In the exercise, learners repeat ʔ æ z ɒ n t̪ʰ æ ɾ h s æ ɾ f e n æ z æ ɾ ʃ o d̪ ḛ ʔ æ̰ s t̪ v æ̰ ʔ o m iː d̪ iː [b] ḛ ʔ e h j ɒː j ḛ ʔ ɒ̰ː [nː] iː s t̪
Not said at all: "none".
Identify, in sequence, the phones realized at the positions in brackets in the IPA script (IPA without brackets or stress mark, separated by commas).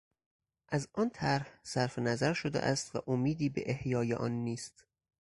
b, nː